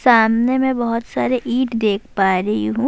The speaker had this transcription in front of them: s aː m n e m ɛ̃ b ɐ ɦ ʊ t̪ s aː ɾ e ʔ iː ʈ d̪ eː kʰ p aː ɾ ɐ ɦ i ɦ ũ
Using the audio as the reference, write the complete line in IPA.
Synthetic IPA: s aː m n e m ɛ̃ b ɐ ɦ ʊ t̪ s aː ɾ e ʔ iː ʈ d̪ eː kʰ p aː ɾ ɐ ɦ i ɦ ũ